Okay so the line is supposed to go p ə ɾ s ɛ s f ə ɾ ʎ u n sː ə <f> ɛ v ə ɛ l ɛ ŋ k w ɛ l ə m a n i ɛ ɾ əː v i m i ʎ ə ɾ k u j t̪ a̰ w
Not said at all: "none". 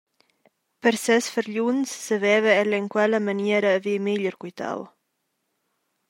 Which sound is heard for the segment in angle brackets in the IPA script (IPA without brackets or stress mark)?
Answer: v